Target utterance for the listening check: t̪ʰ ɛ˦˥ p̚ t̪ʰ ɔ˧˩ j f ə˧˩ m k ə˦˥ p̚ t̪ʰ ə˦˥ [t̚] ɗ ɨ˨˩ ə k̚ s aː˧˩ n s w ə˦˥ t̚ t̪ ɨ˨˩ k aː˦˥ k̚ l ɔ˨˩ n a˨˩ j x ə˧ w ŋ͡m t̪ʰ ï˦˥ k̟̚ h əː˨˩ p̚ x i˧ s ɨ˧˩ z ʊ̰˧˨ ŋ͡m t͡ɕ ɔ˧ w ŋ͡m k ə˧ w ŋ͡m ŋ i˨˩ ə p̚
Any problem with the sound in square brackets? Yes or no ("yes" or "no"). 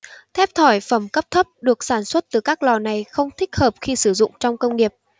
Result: yes